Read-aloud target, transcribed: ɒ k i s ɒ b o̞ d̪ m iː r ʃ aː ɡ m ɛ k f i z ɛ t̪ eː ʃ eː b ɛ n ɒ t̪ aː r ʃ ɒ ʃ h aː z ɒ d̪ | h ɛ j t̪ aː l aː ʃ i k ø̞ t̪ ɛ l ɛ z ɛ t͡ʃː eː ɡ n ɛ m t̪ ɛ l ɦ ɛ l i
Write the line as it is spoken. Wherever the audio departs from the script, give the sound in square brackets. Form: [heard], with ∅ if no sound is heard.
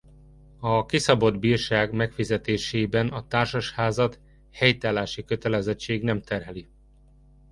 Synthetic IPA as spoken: ɒ k i s ɒ b o̞ d̪ [b] iː r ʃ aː ɡ m ɛ k f i z ɛ t̪ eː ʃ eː b ɛ n ɒ t̪ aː r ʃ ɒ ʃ h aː z ɒ [t̪] | h ɛ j t̪ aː l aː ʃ i k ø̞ t̪ ɛ l ɛ z ɛ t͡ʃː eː ɡ n ɛ m t̪ ɛ [r] ɦ ɛ l i

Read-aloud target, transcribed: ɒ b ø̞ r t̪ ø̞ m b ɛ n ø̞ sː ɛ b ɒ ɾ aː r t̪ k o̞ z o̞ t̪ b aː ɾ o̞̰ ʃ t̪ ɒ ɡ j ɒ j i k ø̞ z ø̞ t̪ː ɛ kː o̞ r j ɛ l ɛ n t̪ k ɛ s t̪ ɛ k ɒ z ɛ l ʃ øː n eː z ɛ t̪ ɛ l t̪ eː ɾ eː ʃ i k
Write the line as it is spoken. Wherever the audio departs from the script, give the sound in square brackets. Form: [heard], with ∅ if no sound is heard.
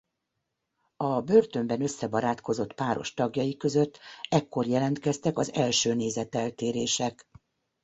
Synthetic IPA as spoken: ɒ b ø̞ r t̪ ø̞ m b ɛ n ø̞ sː ɛ b ɒ ɾ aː [∅] t̪ k o̞ z o̞ t̪ [p] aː ɾ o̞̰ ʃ t̪ ɒ ɡ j ɒ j i k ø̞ z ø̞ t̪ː ɛ kː o̞ r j ɛ l ɛ n t̪ k ɛ s t̪ ɛ k ɒ z ɛ l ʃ øː n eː z ɛ t̪ ɛ l t̪ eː ɾ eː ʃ [ɛ] k

